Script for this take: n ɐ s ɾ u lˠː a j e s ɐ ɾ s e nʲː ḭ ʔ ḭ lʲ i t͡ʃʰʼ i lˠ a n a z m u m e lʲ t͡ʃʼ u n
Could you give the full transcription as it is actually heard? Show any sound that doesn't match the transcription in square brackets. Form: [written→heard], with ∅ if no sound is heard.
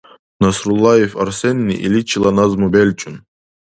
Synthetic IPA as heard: n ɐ s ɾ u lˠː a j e [s→f] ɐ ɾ s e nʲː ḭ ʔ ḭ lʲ i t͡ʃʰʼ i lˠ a n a z m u [m→b] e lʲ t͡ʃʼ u n

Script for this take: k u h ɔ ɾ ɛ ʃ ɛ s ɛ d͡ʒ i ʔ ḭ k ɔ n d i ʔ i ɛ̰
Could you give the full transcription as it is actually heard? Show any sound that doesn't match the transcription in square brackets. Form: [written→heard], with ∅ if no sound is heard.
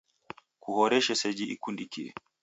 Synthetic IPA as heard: k u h ɔ ɾ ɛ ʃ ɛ s ɛ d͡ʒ i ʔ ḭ k [ɔ→u] n d i [ʔ→k] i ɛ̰

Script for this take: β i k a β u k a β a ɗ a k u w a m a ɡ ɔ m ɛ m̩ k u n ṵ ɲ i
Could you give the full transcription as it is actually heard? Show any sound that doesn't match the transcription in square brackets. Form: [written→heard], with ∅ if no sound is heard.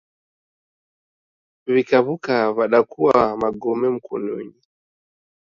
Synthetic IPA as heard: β i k a β u k a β a ɗ a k u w a m a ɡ ɔ m ɛ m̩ k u n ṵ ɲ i

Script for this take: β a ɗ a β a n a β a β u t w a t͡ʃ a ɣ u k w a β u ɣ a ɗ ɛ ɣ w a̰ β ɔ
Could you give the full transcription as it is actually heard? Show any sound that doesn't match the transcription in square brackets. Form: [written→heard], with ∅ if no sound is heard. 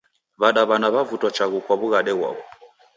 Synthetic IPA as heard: β a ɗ a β a n a β a [β→v] u t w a t͡ʃ a ɣ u k w a β u ɣ a ɗ ɛ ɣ w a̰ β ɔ

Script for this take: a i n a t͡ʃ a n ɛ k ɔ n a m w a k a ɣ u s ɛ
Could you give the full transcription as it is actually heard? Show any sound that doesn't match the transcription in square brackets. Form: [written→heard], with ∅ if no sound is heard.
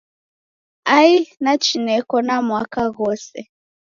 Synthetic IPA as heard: a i n a t͡ʃ [a→i] n ɛ k ɔ n a m w a k a ɣ [u→ɔ] s ɛ

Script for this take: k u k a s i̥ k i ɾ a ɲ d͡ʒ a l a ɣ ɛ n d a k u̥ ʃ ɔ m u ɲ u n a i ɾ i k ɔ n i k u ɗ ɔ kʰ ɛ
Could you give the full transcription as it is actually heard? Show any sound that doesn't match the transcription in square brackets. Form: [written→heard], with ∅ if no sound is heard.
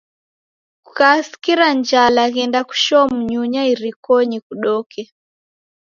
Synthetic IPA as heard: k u k a s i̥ k i ɾ a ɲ d͡ʒ a l a ɣ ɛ n d a k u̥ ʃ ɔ m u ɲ u [n→ɲ] a i ɾ i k ɔ [n→ɲ] i k u ɗ ɔ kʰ ɛ

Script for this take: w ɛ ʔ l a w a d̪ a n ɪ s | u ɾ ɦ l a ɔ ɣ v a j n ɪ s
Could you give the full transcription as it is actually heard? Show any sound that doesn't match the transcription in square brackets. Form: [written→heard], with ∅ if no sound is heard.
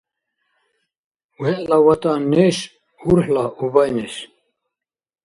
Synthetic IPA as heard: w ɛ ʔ l a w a [d̪→t̪] a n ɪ s | u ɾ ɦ l a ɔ ɣ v a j n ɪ s

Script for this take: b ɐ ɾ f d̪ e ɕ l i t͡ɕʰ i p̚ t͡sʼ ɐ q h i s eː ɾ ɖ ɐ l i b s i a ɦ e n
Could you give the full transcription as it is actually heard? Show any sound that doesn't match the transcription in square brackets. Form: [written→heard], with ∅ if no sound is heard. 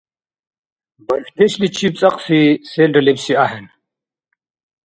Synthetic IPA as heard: b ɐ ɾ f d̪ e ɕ l i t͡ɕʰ i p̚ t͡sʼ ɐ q [h→s] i s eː [ɾ→l] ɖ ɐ l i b s i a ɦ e n

